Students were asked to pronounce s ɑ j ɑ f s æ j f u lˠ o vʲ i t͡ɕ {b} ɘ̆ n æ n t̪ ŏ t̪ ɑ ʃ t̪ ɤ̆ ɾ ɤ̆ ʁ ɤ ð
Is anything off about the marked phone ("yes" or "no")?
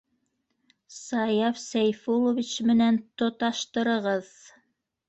yes